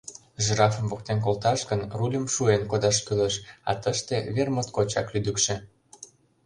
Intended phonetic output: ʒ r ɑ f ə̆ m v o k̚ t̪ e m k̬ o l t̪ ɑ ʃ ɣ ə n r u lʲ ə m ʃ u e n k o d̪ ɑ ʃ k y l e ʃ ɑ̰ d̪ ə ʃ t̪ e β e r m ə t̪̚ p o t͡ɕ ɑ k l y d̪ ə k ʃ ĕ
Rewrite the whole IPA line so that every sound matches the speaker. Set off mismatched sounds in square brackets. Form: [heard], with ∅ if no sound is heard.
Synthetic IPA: ʒ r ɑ f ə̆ m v o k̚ t̪ e [n] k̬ o l t̪ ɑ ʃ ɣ ə n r u lʲ ə m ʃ u e n k o d̪ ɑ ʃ k y l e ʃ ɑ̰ [t̪] ə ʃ t̪ e β e r m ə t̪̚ [k] o t͡ɕ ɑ k l y d̪ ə k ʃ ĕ